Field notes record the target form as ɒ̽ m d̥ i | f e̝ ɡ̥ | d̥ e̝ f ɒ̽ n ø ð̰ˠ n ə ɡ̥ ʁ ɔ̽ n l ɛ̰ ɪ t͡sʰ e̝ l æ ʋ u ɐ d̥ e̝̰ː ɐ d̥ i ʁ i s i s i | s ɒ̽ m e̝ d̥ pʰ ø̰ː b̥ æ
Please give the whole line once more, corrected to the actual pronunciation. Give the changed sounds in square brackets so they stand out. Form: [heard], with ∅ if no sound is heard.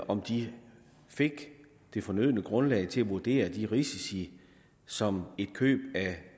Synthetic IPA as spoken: ɒ̽ m d̥ i | f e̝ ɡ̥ | d̥ e̝ f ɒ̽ n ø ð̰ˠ n ə ɡ̥ ʁ ɔ̽ n l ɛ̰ ɪ t͡sʰ e̝ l æ ʋ u ɐ d̥ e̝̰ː ɐ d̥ i ʁ i s i s i | s ɒ̽ m e̝ d̥ [kʰ] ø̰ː b̥ æ